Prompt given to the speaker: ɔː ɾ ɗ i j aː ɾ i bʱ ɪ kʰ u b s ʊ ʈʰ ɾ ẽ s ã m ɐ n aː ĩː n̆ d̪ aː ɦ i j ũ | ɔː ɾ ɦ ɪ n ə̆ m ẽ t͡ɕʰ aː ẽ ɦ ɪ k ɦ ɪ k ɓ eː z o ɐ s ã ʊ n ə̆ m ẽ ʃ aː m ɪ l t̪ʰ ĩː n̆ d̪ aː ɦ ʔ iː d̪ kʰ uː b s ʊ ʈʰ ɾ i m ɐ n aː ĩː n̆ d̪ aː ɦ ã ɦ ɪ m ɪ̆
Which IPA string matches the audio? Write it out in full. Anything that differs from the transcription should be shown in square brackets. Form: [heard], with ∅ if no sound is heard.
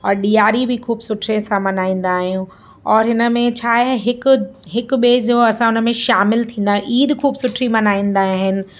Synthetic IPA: ɔː ɾ ɗ i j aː ɾ i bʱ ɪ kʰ [uː] b s ʊ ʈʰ ɾ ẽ s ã m ɐ n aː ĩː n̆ d̪ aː ɦ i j ũ | ɔː ɾ ɦ ɪ n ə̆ m ẽ t͡ɕʰ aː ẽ ɦ ɪ k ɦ ɪ k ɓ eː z o ɐ s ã ʊ n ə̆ m ẽ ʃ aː m ɪ l t̪ʰ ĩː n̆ d̪ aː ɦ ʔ iː d̪ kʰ uː b s ʊ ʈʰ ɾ i m ɐ n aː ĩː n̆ d̪ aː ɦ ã ɦ ɪ [n] ɪ̆